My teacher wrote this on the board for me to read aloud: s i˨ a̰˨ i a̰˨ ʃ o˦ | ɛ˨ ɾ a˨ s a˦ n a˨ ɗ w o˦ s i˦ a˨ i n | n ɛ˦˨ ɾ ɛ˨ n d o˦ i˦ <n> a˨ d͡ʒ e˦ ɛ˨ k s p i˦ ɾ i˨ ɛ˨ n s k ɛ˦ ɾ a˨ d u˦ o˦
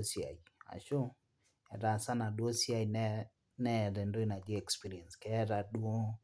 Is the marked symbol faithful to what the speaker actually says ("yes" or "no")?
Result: yes